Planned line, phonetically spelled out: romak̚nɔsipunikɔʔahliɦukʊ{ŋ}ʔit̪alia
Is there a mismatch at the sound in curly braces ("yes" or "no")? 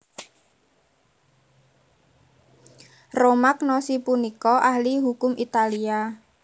yes